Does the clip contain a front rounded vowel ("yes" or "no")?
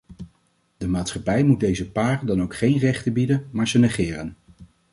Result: no